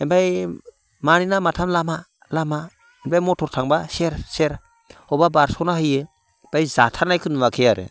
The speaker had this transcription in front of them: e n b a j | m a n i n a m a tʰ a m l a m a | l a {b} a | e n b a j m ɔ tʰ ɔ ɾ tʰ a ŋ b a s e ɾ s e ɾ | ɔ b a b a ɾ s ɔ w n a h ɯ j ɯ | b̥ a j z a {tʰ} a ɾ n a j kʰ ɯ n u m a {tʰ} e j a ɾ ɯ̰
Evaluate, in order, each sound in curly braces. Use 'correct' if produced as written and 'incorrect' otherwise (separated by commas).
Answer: incorrect, correct, incorrect